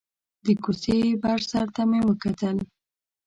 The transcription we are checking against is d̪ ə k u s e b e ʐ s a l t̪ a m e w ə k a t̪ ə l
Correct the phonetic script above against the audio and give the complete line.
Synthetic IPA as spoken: d̪ ə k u s e b a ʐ s a ɾ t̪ a m e w ə k a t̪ ə l